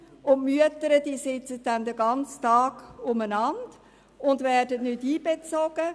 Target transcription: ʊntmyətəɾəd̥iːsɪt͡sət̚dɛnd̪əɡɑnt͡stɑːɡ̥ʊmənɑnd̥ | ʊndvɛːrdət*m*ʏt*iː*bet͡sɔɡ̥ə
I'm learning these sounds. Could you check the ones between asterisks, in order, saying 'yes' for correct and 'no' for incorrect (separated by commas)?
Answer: no, yes